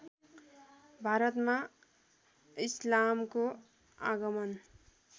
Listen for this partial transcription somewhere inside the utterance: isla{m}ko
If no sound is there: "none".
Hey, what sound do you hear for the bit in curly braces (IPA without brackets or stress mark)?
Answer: m